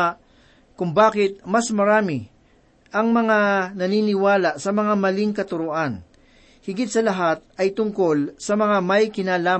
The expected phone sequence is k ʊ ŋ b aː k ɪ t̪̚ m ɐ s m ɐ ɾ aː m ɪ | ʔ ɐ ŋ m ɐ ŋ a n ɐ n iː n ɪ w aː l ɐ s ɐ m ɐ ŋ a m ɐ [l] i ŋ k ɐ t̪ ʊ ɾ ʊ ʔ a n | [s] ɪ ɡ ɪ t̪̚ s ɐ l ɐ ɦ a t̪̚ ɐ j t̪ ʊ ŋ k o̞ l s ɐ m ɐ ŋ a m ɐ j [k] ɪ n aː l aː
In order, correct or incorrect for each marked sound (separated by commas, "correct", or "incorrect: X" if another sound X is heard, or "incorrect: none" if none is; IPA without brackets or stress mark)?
correct, incorrect: h, correct